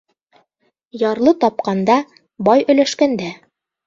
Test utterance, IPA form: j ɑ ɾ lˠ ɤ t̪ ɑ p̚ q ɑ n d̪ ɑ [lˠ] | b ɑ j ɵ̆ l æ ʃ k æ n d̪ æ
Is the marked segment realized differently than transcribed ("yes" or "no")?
yes